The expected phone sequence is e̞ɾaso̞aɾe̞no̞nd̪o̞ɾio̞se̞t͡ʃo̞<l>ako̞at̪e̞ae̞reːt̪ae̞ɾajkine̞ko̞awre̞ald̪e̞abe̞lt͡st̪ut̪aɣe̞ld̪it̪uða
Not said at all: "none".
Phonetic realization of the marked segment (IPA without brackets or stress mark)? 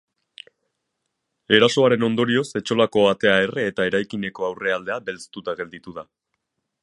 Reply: l